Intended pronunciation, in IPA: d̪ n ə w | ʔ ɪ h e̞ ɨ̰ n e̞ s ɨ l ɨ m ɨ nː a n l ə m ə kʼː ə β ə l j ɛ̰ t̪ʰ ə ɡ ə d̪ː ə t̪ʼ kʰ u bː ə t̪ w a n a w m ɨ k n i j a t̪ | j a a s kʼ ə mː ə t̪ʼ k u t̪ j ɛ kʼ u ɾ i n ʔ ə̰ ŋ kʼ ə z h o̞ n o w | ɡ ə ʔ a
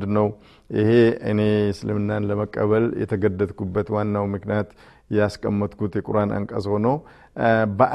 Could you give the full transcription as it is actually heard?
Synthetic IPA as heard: d̪ n ə w | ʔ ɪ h e̞ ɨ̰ n e̞ s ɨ l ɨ m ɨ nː a n l ə m ə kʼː ə β ə l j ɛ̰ t̪ʰ ə ɡ ə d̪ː ə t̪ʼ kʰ u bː ə t̪ w a nː a w m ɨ k n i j a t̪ | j ɛ a s kʼ ə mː ə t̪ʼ k u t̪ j ɛ kʼ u ɾ a n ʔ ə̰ ŋ kʼ ə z h o̞ n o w | b ə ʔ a